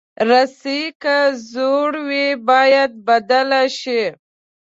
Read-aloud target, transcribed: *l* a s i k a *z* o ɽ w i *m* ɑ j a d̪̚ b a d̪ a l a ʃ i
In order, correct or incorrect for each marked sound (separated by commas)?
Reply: incorrect, correct, incorrect